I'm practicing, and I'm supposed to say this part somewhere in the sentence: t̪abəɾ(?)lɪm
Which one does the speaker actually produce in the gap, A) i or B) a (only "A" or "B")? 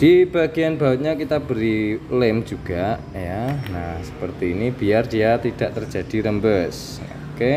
A